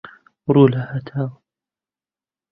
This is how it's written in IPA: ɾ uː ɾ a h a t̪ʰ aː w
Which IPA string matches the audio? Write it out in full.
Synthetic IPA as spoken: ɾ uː l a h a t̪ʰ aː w